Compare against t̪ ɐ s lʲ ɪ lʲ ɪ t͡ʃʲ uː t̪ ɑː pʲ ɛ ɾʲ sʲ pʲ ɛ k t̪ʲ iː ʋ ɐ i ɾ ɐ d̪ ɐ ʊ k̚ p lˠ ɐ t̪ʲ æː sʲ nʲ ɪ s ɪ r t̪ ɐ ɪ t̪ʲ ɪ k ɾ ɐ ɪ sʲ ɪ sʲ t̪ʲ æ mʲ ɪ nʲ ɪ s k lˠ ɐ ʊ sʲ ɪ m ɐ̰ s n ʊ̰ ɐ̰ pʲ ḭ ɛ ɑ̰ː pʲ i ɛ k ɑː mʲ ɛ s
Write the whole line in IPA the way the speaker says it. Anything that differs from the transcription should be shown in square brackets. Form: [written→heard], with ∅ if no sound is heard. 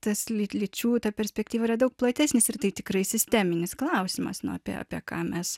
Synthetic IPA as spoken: t̪ ɐ s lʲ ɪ lʲ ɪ t͡ʃʲ uː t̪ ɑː pʲ ɛ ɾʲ sʲ pʲ ɛ k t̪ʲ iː ʋ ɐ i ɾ ɐ d̪ ɐ ʊ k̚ p lˠ ɐ t̪ʲ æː sʲ nʲ ɪ s ɪ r t̪ ɐ ɪ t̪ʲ ɪ k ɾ ɐ ɪ sʲ ɪ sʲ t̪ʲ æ mʲ ɪ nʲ ɪ s k lˠ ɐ ʊ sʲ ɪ m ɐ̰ s n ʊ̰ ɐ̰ pʲ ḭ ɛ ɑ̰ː pʲ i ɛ k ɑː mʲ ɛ s